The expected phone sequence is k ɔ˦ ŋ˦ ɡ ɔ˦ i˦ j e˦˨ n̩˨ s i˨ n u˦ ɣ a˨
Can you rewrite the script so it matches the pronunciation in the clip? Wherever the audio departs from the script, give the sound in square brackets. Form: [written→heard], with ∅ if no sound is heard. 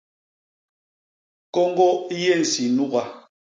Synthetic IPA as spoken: k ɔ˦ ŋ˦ ɡ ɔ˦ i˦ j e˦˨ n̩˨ s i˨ n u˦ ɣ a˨